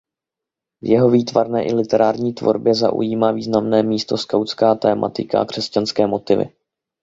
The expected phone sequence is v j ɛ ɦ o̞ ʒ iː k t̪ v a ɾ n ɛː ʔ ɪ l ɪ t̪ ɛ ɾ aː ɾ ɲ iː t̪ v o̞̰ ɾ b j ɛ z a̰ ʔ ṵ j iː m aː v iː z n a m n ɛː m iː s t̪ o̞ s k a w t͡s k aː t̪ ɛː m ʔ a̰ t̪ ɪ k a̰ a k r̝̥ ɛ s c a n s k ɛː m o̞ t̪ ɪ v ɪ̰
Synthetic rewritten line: v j ɛ ɦ o̞ v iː t̪ v a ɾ n ɛː ʔ ɪ l ɪ t̪ ɛ ɾ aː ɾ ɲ iː t̪ v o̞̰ ɾ b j ɛ z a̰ ʔ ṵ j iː m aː v iː z n a m n ɛː m iː s t̪ o̞ s k a w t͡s k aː t̪ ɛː m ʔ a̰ t̪ ɪ k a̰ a k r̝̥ ɛ s c a n s k ɛː m o̞ t̪ ɪ v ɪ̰

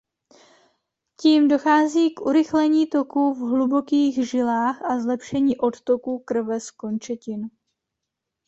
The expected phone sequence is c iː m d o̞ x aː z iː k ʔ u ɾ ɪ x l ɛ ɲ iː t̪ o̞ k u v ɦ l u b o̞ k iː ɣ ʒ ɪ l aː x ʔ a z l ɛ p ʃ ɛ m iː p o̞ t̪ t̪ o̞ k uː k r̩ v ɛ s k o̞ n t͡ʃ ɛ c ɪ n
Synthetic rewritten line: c iː m d o̞ x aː z iː k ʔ u ɾ ɪ x l ɛ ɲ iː t̪ o̞ k u v ɦ l u b o̞ k iː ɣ ʒ ɪ l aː x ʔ a z l ɛ p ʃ ɛ ɲ iː ʔ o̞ t̪ t̪ o̞ k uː k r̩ v ɛ s k o̞ n t͡ʃ ɛ c ɪ n

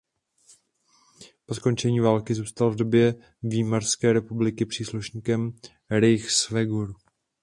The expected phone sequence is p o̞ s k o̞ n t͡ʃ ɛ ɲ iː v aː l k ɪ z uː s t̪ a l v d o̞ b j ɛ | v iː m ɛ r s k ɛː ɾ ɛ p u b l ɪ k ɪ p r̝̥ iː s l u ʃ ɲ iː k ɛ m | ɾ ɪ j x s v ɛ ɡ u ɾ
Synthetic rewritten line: p o̞ s k o̞ n t͡ʃ ɛ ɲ iː v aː l k ɪ z uː s t̪ a l v d o̞ b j ɛ | v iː m a r s k ɛː ɾ ɛ p u b l ɪ k ɪ p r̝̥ iː s l u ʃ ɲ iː k ɛ m | ɾ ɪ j x s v ɛ ɡ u ɾ

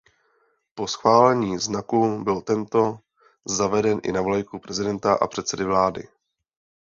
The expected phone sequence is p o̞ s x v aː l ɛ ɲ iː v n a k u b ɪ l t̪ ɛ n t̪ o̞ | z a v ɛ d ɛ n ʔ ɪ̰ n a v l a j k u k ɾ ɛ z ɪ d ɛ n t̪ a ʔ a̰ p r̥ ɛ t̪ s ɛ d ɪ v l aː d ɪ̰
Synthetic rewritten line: p o̞ s x v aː l ɛ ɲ iː z n a k u b ɪ l t̪ ɛ n t̪ o̞ | z a v ɛ d ɛ n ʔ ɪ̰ n a v l a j k u p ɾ ɛ z ɪ d ɛ n t̪ a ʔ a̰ p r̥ ɛ t̪ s ɛ d ɪ v l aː d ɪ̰

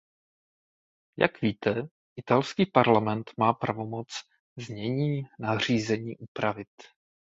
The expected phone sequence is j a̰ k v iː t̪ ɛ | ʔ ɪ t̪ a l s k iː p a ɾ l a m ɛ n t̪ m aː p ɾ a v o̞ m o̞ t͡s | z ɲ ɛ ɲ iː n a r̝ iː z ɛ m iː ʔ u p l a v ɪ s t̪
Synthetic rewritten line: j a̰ k v iː t̪ ɛ | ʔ ɪ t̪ a l s k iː p a ɾ l a m ɛ n t̪ m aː p ɾ a v o̞ m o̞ t͡s | z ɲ ɛ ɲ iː n a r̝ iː z ɛ ɲ iː ʔ u p ɾ a v ɪ t̪

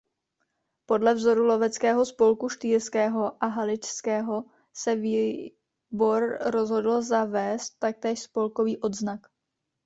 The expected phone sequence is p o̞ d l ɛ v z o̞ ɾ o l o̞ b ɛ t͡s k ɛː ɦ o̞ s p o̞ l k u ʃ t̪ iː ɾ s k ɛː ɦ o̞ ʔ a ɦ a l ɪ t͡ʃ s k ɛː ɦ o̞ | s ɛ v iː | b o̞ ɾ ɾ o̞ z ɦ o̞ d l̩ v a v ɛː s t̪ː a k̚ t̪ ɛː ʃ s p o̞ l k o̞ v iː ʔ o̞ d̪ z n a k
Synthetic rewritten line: p o̞ d l ɛ v z o̞ ɾ u l o̞ v ɛ t͡s k ɛː ɦ o̞ s p o̞ l k u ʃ t̪ iː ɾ s k ɛː ɦ o̞ ʔ a ɦ a l ɪ t͡ʃ s k ɛː ɦ o̞ | s ɛ v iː | b o̞ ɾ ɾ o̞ z ɦ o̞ d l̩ z a v ɛː s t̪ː a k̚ t̪ ɛː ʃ s p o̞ l k o̞ v iː ʔ o̞ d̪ z n a k

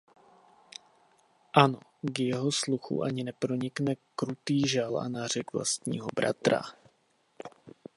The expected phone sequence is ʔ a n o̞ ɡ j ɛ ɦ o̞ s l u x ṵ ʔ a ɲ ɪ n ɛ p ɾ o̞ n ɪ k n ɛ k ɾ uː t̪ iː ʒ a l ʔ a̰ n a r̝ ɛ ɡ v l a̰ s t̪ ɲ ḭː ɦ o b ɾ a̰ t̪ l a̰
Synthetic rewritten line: ʔ a n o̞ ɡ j ɛ ɦ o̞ s l u x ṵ ʔ a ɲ ɪ n ɛ p ɾ o̞ ɲ ɪ k n ɛ k ɾ u t̪ iː ʒ a l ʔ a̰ n a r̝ ɛ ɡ v l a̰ s t̪ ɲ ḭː ɦ o b ɾ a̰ t̪ ɾ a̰

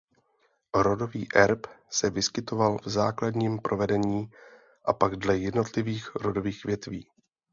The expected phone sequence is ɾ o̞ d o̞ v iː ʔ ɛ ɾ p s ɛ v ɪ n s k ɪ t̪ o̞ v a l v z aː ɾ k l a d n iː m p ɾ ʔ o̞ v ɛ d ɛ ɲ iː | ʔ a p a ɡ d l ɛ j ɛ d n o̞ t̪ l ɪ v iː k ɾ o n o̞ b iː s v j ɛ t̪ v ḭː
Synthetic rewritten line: ɾ o̞ d o̞ v iː ʔ ɛ ɾ p s ɛ v ɪ s k ɪ t̪ o̞ v a l v z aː k l a d ɲ iː m p ɾ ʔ o̞ v ɛ d ɛ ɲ iː | ʔ a p a ɡ d l ɛ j ɛ d n o̞ t̪ l ɪ v iː x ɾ o d o̞ v iː x v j ɛ t̪ v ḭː

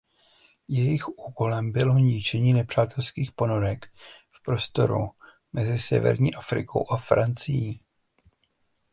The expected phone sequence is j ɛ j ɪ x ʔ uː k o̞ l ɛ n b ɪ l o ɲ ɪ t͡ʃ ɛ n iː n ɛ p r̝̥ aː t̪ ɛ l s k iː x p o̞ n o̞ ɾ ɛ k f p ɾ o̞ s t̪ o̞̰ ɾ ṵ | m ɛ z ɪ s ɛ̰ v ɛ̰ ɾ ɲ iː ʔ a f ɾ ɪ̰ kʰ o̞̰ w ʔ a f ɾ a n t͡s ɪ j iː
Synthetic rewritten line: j ɛ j ɪ x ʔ uː k o̞ l ɛ m b ɪ l o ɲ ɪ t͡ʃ ɛ ɲ iː n ɛ p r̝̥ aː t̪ ɛ l s k iː x p o̞ n o̞ ɾ ɛ k f p ɾ o̞ s t̪ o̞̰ ɾ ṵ | m ɛ z ɪ s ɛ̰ v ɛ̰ ɾ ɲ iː ʔ a f ɾ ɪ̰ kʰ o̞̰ w ʔ a f ɾ a n t͡s ɪ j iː

